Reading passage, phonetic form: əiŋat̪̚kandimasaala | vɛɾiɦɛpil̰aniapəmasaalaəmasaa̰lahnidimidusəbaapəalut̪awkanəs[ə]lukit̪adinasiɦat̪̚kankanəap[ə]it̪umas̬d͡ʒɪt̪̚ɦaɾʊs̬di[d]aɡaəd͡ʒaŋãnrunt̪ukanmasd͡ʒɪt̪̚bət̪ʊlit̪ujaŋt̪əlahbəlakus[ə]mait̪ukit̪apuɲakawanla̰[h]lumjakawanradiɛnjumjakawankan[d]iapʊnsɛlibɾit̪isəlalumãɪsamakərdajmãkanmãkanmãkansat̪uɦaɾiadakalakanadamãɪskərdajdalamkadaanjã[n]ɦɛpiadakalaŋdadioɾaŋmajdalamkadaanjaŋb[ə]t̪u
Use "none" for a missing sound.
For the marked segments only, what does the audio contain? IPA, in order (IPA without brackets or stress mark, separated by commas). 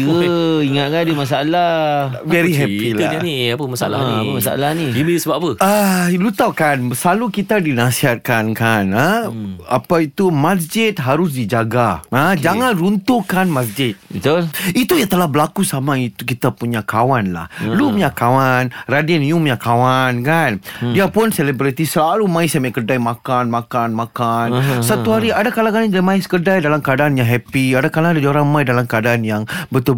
a, a, d͡ʒ, a, h, d, ŋ, ə